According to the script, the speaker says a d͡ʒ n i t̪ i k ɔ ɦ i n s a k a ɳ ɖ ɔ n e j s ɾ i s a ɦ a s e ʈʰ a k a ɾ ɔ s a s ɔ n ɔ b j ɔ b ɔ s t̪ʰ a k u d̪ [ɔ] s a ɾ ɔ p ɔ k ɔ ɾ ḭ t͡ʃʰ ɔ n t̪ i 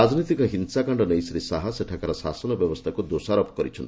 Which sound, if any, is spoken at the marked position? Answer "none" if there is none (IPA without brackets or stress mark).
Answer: o